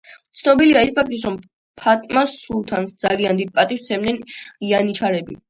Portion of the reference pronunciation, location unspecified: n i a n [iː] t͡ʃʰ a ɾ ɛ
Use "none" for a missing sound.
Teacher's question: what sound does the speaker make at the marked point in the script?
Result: i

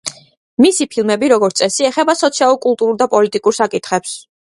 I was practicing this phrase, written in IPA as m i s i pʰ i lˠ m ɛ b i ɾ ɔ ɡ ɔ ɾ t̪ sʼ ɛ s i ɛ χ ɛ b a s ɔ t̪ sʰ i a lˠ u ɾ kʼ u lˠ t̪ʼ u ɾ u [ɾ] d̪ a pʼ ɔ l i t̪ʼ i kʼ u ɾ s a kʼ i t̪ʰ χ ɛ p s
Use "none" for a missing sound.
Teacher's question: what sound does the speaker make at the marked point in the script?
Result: ɾ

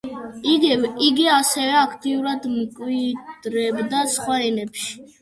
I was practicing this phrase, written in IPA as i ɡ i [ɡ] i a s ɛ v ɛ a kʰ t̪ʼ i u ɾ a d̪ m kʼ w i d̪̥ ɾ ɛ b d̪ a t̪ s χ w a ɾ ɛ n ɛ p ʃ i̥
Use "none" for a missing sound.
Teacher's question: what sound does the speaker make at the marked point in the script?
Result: ɡ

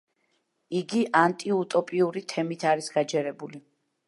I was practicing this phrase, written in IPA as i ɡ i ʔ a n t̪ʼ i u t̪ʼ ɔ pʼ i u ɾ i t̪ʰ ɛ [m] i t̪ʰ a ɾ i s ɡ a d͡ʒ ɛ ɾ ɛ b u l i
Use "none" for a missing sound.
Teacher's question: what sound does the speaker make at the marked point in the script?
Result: m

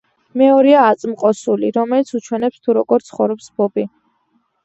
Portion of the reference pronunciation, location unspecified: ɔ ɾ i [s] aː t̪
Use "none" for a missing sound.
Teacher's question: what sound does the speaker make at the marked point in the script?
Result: none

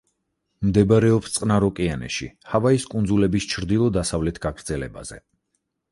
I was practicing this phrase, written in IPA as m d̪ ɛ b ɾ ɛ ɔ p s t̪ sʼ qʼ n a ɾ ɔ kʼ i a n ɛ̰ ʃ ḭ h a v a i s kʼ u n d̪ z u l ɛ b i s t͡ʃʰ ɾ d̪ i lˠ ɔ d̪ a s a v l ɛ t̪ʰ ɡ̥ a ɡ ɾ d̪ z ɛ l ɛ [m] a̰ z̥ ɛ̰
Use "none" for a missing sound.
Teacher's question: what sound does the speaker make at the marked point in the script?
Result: b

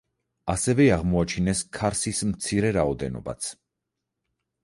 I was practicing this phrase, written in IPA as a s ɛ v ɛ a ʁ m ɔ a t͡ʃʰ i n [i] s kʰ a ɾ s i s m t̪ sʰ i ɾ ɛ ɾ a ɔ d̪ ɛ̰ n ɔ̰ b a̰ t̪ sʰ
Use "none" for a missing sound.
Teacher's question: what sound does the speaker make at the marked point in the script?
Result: ɛ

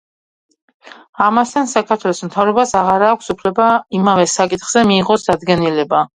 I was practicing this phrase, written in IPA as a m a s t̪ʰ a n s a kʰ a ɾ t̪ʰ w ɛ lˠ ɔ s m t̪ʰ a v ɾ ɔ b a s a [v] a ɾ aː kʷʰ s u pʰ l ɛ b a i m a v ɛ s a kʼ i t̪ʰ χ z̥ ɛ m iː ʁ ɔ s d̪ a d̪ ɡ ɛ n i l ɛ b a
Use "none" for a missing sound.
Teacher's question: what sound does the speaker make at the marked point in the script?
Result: ʁ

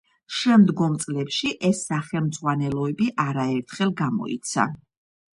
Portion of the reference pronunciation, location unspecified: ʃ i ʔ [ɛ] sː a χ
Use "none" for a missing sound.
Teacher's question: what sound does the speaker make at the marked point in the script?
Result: ɛ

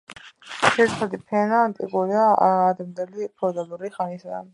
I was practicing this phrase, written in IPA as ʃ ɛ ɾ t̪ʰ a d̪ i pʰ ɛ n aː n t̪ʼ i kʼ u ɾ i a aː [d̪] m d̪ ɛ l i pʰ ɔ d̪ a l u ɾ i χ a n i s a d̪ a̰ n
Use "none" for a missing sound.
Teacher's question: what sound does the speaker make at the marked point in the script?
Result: d̪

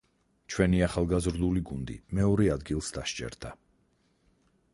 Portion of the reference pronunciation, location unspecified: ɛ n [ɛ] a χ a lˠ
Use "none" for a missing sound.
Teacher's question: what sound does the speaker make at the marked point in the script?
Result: i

